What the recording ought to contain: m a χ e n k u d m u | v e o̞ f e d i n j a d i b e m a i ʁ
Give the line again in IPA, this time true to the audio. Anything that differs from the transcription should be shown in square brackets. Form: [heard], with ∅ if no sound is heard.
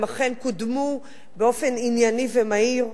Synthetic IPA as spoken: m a χ e n k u d m u | [b] e o̞ f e [n] i n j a [n] i [v] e m a i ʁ